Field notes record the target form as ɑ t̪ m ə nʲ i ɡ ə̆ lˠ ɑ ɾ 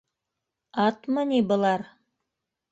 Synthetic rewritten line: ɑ t̪ m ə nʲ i b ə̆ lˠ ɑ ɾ